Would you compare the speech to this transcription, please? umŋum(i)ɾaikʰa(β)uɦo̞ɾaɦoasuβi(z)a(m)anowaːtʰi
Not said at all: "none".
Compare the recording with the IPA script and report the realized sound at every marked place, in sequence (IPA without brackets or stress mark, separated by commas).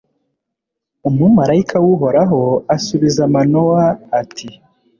a, w, z, m